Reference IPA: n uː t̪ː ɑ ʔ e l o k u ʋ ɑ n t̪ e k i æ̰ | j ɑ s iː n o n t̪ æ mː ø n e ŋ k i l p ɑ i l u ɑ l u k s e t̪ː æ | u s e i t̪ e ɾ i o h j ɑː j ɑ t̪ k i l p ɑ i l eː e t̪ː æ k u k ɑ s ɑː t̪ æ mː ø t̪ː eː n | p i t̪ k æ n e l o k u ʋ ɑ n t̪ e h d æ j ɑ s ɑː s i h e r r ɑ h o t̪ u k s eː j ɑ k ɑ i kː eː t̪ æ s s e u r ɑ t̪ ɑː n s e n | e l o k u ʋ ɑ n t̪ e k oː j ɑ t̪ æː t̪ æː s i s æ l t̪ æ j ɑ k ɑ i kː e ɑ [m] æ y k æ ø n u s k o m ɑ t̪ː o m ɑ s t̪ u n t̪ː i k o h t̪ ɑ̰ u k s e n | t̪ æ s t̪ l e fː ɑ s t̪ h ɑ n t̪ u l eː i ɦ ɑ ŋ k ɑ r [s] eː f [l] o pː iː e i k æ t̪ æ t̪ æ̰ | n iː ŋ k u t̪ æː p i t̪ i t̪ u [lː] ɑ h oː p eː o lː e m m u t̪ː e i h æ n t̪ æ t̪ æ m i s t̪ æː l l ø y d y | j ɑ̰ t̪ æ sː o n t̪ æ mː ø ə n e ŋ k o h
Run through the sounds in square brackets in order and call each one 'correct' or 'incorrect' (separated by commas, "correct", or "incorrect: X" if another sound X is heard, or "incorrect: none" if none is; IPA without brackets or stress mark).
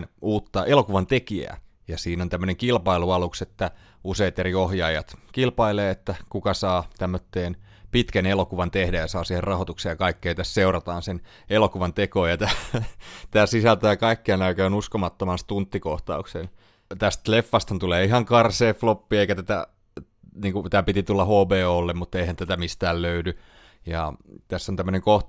incorrect: n, correct, correct, correct